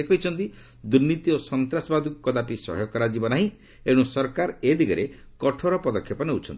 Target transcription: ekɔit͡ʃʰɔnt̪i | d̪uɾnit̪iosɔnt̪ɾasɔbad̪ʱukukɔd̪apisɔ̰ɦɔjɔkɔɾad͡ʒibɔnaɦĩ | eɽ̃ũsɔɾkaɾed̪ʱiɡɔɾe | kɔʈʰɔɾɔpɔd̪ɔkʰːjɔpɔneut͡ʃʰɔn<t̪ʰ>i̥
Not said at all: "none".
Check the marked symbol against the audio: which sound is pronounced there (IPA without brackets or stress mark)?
t̪